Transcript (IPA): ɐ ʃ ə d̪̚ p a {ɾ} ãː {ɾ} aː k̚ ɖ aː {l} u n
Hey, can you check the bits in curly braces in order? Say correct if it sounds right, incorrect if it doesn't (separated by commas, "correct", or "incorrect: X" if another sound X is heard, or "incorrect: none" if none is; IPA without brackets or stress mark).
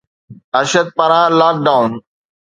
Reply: correct, incorrect: l, incorrect: none